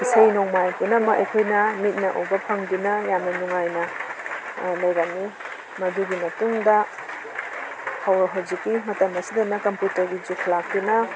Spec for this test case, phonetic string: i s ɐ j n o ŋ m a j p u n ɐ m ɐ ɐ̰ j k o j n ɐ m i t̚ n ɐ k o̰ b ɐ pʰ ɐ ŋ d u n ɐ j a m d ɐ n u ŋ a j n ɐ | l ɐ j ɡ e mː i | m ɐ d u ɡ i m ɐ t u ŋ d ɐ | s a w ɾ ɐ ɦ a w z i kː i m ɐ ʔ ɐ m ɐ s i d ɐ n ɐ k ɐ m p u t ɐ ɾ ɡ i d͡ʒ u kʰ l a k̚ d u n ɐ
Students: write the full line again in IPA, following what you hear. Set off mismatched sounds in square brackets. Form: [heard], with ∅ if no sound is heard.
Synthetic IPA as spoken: i s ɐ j n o ŋ m a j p u n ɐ m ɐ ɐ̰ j [kʰ] o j n ɐ m i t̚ n ɐ [ʔ] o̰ b ɐ pʰ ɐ ŋ d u n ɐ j a m [n] ɐ n u ŋ a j n ɐ | l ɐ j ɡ [a] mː i | m ɐ d u ɡ i m ɐ t u ŋ d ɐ | [h] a w ɾ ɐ ɦ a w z i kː i m ɐ [t] ɐ m ɐ s i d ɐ n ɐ k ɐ m p u t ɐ ɾ ɡ i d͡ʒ u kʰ l a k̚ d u n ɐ

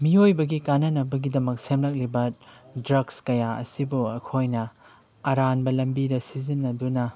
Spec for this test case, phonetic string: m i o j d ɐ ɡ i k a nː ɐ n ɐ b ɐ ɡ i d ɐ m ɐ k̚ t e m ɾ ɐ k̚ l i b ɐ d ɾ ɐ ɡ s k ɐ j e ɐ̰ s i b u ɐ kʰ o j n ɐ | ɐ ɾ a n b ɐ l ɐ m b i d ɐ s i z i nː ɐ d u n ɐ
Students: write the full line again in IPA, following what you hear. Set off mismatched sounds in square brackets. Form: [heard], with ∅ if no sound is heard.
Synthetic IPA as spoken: m i o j [b] ɐ ɡ i k a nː ɐ n ɐ b ɐ ɡ i d ɐ m ɐ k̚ [s] e m [l] ɐ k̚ l i b ɐ d ɾ ɐ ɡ s k ɐ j [a] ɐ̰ s i b u ɐ kʰ o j n ɐ | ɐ ɾ a n b ɐ l ɐ m b i d ɐ s i z i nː ɐ d u n ɐ

